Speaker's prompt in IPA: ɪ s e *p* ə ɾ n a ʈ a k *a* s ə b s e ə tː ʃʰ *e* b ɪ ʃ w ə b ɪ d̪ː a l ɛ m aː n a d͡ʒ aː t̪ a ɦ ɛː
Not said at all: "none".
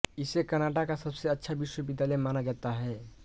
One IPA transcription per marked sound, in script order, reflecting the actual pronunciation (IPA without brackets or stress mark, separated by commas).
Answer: k, a, a